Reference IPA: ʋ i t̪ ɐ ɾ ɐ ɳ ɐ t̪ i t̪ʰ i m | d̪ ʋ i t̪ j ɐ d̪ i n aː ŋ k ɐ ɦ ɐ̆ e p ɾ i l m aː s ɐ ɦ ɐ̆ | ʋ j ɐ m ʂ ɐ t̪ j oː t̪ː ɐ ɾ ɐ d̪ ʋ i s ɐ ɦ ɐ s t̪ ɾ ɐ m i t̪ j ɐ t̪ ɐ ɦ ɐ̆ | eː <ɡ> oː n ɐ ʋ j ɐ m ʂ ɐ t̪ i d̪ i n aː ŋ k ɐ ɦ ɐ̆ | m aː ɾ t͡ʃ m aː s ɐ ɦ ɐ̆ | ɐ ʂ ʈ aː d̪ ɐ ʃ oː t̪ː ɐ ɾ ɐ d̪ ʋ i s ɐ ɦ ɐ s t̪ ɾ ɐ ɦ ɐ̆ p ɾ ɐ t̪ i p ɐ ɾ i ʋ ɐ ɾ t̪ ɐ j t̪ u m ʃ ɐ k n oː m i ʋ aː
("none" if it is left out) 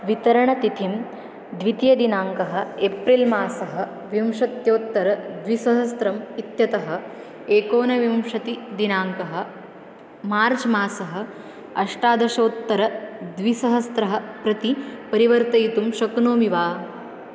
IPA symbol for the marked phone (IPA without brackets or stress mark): k